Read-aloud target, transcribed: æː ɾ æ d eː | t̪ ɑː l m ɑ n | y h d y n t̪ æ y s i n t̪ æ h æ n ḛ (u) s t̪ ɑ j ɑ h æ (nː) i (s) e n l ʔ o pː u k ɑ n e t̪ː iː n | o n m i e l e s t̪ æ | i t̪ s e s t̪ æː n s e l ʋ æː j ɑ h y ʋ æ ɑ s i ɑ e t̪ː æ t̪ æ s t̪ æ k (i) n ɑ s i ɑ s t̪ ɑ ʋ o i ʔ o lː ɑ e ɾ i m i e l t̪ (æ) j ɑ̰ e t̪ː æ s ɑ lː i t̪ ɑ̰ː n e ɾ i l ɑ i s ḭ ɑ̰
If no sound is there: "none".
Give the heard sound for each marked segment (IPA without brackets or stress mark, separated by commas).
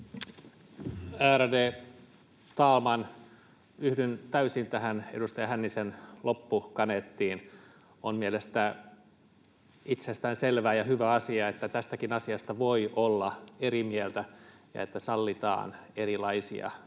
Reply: u, nː, s, i, æ